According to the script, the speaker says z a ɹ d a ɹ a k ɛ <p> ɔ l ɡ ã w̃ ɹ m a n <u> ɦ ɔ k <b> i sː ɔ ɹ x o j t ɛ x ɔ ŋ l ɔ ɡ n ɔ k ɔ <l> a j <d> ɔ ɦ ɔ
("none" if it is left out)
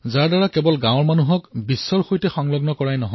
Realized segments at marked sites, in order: b, u, b, ɹ, n

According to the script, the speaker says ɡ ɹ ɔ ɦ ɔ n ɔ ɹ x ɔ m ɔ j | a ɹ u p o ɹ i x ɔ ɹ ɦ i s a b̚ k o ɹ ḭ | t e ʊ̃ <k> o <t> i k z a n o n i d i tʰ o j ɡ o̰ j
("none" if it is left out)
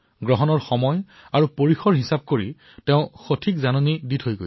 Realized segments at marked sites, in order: x, tʰ

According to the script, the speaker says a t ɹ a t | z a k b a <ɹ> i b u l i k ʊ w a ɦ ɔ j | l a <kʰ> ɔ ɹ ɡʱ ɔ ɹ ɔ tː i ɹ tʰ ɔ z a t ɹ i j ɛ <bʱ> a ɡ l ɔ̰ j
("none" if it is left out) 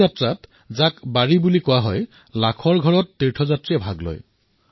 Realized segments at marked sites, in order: ɹ, kʰ, bʱ

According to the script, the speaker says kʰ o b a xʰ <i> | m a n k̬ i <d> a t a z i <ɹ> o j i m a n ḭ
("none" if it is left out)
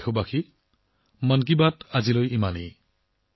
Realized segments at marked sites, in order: i, b, l

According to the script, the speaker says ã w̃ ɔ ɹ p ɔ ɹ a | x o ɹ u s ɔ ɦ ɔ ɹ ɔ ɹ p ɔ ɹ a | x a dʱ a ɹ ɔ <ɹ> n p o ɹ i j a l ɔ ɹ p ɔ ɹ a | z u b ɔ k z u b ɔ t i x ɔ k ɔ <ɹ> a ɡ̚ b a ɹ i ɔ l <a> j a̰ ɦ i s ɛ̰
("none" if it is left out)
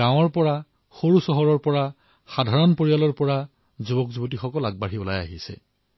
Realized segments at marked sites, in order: none, l, a

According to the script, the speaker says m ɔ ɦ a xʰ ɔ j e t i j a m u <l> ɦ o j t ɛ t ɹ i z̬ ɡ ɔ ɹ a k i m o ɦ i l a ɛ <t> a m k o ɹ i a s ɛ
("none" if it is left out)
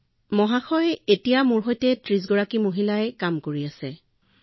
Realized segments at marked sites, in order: ɹ, k

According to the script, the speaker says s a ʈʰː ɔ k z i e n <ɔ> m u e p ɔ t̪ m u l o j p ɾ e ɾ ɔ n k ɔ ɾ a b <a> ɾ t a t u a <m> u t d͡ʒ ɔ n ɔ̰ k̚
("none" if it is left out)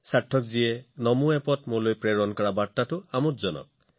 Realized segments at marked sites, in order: ɔ, a, m

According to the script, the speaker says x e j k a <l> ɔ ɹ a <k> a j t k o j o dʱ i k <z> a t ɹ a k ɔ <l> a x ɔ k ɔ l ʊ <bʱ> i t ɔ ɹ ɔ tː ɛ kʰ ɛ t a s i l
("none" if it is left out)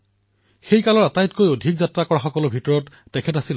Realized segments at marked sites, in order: l, t, z, ɹ, bʱ

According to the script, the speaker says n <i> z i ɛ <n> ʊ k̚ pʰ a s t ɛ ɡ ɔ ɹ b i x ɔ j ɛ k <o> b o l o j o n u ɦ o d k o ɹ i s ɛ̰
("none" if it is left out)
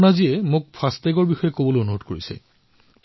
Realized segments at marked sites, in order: a, m, o

